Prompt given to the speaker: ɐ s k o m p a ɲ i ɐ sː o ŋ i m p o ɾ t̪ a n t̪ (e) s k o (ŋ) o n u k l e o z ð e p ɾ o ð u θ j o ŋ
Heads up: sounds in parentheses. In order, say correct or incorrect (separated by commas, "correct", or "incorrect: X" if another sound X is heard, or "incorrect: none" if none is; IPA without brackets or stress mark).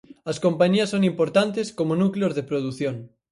correct, incorrect: m